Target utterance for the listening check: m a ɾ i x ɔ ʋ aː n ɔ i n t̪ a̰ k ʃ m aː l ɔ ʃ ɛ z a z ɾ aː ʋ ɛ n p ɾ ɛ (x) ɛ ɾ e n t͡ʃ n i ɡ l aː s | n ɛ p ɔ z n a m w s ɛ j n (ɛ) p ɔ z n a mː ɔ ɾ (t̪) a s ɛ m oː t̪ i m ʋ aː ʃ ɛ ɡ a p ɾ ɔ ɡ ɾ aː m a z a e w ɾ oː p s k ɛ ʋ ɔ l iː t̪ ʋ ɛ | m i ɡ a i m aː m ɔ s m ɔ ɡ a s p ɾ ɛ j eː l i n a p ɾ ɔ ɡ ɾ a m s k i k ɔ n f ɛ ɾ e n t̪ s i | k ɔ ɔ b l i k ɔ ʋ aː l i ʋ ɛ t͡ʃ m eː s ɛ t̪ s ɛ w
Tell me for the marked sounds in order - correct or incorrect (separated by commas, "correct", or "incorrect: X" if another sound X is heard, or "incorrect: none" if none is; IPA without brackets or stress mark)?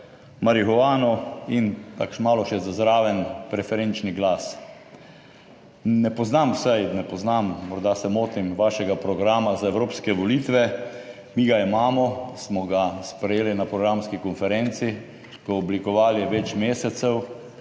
incorrect: f, correct, incorrect: d̪